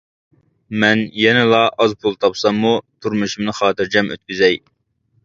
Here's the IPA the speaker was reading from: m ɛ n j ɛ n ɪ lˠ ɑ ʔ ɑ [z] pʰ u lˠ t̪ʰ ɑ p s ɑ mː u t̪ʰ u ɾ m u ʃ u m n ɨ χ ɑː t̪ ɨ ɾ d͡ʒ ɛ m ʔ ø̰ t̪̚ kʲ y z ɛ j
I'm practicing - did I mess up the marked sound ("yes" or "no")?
no